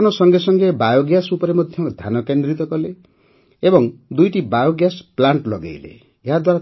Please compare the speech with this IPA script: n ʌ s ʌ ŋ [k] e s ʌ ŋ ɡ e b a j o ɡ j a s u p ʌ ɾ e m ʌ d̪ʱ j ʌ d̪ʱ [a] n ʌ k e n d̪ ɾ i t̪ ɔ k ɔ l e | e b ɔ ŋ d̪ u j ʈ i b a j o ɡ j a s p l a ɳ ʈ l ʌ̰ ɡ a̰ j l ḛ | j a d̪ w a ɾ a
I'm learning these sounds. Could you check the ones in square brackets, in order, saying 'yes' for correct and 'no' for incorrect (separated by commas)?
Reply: no, yes